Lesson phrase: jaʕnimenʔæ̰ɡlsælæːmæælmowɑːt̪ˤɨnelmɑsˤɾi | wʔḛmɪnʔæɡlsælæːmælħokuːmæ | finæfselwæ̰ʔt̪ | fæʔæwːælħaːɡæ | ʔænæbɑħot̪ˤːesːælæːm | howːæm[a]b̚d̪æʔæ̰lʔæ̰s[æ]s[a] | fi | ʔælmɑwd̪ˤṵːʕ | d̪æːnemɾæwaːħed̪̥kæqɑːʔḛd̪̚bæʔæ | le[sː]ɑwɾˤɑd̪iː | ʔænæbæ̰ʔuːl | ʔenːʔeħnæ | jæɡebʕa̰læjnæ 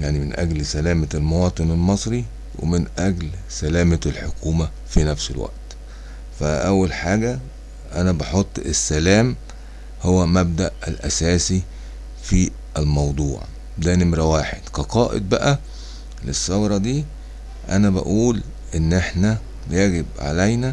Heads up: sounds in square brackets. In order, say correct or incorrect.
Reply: incorrect, incorrect, incorrect, correct

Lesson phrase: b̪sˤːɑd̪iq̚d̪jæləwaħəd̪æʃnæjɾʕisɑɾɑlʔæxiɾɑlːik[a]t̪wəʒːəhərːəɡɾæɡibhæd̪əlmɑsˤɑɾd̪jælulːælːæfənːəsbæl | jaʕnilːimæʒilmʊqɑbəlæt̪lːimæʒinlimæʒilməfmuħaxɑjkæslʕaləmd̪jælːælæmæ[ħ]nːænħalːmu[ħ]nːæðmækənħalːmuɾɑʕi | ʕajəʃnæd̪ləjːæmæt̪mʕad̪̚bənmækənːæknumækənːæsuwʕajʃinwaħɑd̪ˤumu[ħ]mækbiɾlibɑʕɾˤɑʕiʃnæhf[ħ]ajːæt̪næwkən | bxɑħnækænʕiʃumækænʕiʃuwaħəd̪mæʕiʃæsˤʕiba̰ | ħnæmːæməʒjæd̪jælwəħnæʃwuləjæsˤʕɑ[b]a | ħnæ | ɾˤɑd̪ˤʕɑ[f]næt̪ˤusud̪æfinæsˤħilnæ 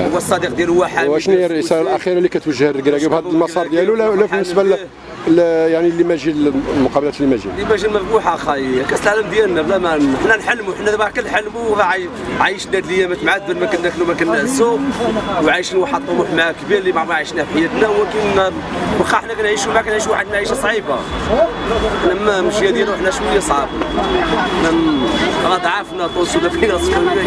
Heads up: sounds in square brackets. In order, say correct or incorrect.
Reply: incorrect, correct, correct, correct, correct, correct, correct

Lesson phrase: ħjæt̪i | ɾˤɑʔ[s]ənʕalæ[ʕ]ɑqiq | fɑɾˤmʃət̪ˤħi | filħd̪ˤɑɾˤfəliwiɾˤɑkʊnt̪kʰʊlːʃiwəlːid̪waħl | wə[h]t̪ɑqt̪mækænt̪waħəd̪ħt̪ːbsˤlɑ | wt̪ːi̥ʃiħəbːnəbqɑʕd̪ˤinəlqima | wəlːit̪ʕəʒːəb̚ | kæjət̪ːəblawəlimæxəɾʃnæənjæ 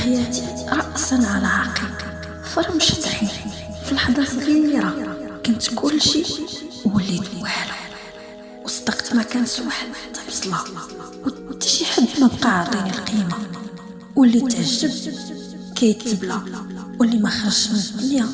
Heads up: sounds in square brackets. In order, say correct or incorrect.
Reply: correct, correct, incorrect

